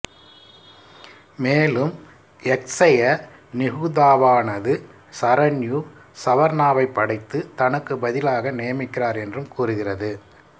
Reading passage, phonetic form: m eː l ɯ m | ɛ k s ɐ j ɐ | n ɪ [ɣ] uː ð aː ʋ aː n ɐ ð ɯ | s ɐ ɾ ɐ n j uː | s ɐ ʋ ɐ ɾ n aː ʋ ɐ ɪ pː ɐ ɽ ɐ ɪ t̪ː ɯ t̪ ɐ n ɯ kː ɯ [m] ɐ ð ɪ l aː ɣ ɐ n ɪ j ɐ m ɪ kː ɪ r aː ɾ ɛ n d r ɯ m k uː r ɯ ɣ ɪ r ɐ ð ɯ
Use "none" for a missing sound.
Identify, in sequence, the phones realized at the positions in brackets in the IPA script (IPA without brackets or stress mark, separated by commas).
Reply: ɣ, b